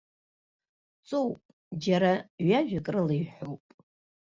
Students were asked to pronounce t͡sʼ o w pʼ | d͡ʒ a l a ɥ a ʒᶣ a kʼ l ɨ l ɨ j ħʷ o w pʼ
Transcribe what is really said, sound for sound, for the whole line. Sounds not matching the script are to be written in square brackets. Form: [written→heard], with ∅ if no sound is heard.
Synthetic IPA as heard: t͡sʼ o w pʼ | d͡ʒ a [l→ɾ] a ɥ a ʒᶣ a kʼ [l→r] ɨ l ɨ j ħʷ o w pʼ